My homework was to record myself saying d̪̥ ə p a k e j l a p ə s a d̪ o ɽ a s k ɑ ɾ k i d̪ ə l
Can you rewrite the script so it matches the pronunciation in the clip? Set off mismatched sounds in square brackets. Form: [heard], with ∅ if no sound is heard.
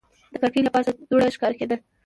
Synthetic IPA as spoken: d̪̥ ə [k] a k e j l a p [ɑ] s a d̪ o ɽ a [ʃ] k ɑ ɾ k [e] d̪ ə l